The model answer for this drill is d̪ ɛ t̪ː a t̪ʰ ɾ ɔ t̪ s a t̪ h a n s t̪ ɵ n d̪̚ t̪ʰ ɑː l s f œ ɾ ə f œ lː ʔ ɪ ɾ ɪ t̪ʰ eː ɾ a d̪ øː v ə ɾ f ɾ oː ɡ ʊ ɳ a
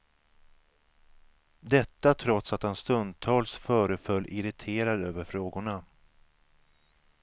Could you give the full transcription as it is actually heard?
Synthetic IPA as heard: d̪ ɛ t̪ː a t̪ʰ ɾ ɔ t̪ s a t̪ h a n s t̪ ɵ n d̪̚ t̪ʰ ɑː l s f œː ɾ ə f œ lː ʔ ɪ ɾ ɪ t̪ʰ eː ɾ a d̪ øː v ə ɾ f ɾ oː ɡ ʊ ɳ a